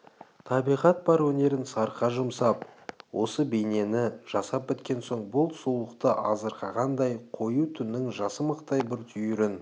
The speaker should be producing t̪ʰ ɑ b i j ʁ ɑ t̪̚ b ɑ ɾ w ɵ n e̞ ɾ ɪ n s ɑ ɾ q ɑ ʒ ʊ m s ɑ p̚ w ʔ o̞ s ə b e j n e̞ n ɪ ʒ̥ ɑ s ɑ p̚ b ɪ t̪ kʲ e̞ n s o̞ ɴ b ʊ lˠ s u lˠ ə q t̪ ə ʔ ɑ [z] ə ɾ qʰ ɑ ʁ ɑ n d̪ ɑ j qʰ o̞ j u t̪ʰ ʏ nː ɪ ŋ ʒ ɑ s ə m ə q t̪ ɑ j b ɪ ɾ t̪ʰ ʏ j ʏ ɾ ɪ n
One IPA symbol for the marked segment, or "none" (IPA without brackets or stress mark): z